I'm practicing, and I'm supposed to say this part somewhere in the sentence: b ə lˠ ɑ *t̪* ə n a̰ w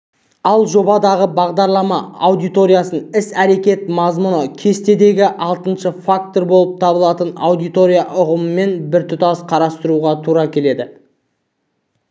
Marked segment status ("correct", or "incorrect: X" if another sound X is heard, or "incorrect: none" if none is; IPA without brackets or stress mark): correct